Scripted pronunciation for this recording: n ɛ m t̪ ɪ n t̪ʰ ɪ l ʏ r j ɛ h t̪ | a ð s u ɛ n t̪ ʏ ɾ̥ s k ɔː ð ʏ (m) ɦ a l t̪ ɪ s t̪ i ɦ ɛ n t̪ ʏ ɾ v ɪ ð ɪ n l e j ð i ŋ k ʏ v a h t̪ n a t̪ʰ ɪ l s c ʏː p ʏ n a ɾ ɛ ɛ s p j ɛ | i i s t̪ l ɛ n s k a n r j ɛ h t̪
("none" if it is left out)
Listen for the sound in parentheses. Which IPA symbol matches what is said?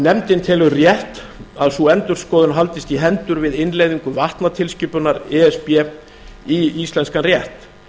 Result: n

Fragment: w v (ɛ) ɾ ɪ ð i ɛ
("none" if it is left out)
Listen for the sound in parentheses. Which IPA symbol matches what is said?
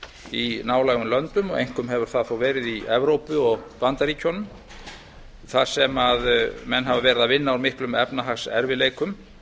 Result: ɛː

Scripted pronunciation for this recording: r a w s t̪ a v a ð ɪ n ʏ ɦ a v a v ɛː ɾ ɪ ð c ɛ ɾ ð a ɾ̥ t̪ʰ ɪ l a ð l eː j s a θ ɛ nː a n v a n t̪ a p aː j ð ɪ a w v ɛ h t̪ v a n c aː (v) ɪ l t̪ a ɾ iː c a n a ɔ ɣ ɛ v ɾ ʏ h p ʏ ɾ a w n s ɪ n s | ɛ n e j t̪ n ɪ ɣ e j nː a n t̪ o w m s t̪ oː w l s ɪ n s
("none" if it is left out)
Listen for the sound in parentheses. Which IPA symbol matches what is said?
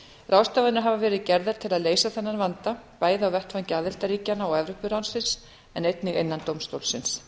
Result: ð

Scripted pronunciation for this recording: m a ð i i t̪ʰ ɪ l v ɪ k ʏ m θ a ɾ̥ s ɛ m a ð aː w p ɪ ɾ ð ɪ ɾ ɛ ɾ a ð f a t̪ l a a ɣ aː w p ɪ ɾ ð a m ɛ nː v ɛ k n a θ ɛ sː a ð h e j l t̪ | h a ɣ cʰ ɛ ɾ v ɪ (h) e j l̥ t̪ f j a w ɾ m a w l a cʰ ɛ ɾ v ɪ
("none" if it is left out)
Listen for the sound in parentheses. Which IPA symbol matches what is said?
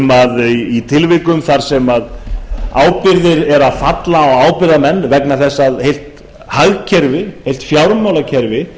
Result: h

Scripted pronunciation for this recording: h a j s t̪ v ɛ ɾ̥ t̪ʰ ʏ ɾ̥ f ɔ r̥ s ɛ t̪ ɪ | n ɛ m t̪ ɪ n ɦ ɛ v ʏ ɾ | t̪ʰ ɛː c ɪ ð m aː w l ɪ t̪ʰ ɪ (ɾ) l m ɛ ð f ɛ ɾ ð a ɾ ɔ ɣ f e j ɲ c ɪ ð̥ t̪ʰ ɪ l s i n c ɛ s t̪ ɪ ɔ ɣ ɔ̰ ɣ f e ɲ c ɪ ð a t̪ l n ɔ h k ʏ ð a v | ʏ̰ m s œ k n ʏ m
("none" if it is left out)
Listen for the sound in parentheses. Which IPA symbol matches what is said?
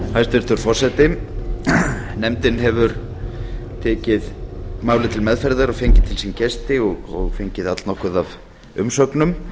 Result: none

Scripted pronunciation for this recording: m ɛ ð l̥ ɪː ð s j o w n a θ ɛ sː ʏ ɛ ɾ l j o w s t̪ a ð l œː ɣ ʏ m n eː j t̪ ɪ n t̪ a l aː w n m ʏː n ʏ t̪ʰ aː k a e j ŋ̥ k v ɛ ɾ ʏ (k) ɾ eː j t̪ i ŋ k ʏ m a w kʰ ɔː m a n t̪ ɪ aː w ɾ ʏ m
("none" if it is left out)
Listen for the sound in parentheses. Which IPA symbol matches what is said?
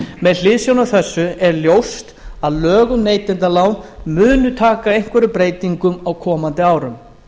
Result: p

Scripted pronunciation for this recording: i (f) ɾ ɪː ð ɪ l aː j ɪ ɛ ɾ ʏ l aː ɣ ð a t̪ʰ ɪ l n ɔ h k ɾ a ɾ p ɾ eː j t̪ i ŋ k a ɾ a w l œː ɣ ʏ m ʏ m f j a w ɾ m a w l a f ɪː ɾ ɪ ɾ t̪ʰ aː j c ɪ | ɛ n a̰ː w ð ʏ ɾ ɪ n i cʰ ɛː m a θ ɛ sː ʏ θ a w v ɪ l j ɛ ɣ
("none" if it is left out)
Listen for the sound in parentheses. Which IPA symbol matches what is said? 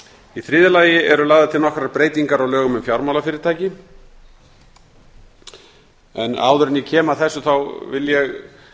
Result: θ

